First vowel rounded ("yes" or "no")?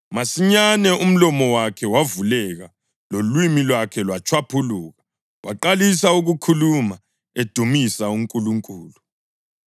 no